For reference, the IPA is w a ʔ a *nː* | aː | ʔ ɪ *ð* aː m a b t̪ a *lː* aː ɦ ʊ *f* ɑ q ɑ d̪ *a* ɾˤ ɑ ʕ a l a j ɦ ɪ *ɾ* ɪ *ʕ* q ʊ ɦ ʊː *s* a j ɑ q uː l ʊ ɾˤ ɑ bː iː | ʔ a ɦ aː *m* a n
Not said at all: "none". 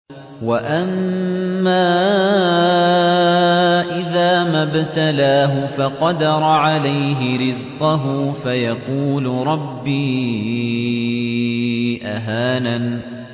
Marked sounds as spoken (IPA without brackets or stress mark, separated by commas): mː, ð, l, f, ɑ, ɾ, z, f, n